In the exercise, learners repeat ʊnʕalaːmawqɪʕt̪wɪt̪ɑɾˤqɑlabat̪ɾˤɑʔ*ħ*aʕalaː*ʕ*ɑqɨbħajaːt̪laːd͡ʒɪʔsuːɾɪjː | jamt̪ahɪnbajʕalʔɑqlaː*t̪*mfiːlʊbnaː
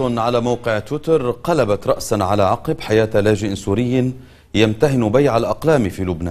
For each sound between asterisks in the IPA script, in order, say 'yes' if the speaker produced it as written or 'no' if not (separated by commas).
no, yes, no